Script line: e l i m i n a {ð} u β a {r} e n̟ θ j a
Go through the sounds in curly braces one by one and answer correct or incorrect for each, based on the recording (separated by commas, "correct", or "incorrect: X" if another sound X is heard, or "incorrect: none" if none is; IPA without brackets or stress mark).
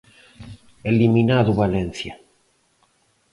correct, incorrect: l